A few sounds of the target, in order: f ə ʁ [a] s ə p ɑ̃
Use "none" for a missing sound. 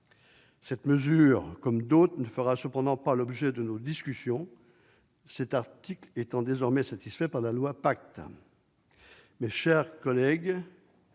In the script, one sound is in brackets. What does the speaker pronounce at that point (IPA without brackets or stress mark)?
a